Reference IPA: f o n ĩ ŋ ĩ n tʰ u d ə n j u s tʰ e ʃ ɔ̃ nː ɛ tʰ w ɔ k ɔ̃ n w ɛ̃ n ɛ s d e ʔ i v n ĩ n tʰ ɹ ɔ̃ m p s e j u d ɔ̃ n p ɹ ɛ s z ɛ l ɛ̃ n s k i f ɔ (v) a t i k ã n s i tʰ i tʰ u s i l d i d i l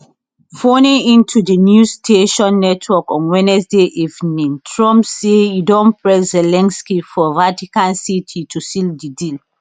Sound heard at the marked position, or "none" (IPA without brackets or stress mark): v